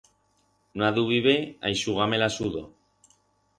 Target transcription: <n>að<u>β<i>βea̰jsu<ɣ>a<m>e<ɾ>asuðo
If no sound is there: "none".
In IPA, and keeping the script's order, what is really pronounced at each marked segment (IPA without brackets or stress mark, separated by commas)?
n, u, i, ɣ, m, l